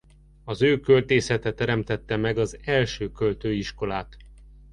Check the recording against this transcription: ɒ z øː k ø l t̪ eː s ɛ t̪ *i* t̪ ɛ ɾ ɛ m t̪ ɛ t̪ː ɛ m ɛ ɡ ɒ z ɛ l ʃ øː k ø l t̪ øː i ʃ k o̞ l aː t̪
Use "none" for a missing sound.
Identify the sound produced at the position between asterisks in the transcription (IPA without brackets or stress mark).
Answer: ɛ